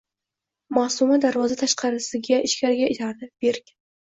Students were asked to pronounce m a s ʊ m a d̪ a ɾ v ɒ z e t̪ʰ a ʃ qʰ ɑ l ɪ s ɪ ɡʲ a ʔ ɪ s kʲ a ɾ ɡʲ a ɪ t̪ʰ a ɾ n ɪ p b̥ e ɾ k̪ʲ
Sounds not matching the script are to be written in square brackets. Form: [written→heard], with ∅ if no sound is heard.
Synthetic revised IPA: m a s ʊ m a d̪ a ɾ v ɒ z [e→a] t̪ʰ a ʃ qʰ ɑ [l→ɾ] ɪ s ɪ ɡʲ a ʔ ɪ [s→ʃ] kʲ a ɾ ɡʲ a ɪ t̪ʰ a ɾ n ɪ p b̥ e ɾ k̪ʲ